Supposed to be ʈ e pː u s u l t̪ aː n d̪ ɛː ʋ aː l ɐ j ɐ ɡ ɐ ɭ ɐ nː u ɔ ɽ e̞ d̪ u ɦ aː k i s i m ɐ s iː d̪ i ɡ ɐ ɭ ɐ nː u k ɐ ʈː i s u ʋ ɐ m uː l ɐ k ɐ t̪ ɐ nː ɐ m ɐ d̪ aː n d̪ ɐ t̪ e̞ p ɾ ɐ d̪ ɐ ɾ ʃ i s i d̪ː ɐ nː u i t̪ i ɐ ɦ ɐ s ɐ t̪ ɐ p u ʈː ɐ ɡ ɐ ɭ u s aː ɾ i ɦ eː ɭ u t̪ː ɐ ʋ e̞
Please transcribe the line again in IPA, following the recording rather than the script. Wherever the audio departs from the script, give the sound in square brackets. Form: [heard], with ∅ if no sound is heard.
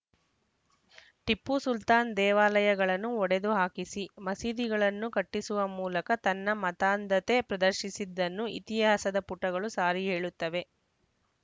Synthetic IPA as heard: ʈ [i] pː u s u l t̪ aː n d̪ ɛː ʋ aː l ɐ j ɐ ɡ ɐ ɭ ɐ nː u ɔ ɽ e̞ d̪ u ɦ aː k i s i m ɐ s iː d̪ i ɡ ɐ ɭ ɐ nː u k ɐ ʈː i s u ʋ ɐ m uː l ɐ k ɐ t̪ ɐ nː ɐ m ɐ [t̪] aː n d̪ ɐ t̪ e̞ p ɾ ɐ d̪ ɐ ɾ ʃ i s i d̪ː ɐ nː u i t̪ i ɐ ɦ ɐ s ɐ [d̪] ɐ p u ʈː ɐ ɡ ɐ ɭ u s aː ɾ i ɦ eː ɭ u t̪ː ɐ ʋ e̞

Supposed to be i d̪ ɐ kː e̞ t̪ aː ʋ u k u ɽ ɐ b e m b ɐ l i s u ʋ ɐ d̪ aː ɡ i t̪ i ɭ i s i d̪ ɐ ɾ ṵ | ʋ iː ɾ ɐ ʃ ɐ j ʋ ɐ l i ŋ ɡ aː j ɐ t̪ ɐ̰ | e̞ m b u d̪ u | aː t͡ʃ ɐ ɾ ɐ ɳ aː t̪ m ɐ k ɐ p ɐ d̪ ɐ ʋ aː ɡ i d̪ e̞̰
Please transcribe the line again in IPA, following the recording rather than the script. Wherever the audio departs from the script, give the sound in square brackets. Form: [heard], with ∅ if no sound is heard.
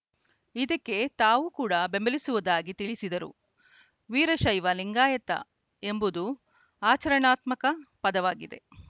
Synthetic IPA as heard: i d̪ ɐ kː e̞ t̪ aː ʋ u k [uː] ɽ ɐ b e m b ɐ l i s u ʋ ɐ d̪ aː ɡ i t̪ i ɭ i s i d̪ ɐ ɾ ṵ | ʋ iː ɾ ɐ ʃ ɐ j ʋ ɐ l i ŋ ɡ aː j ɐ t̪ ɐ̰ | e̞ m b u d̪ u | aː t͡ʃ ɐ ɾ ɐ ɳ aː t̪ m ɐ k ɐ p ɐ d̪ ɐ ʋ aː ɡ i d̪ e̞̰

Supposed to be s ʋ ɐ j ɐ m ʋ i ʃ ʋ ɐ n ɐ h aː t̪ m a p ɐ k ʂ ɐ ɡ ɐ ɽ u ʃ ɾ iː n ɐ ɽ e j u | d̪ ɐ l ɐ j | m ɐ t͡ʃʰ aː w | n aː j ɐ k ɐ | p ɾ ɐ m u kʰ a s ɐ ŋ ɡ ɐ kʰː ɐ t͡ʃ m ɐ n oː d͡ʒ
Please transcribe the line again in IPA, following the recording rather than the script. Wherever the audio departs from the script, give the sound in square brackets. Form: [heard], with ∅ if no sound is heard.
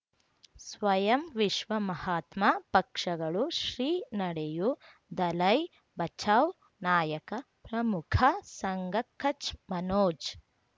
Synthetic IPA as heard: s ʋ ɐ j ɐ m ʋ i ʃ ʋ ɐ [m] ɐ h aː t̪ m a p ɐ k ʂ ɐ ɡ ɐ [ɭ] u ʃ ɾ iː n ɐ ɽ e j u | d̪ ɐ l ɐ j | [b] ɐ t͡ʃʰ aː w | n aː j ɐ k ɐ | p ɾ ɐ m u kʰ [ɐ] s ɐ ŋ ɡ ɐ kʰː ɐ t͡ʃ m ɐ n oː d͡ʒ

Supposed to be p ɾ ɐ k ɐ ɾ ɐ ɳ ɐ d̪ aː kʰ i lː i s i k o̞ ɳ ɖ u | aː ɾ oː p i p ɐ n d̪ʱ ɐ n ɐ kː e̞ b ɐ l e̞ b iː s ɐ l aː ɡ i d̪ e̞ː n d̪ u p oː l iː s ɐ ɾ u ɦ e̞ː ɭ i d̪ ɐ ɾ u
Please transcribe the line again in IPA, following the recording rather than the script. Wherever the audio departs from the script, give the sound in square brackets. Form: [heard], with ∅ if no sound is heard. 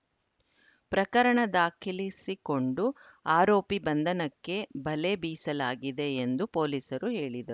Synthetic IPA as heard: p ɾ ɐ k ɐ ɾ ɐ ɳ ɐ d̪ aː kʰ i [l] i s i k o̞ ɳ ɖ u | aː ɾ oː p i [b] ɐ n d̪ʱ ɐ n ɐ kː e̞ b ɐ l e̞ b iː s ɐ l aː ɡ i d̪ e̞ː n d̪ u p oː l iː s ɐ ɾ u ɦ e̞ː ɭ i d̪ ɐ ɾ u

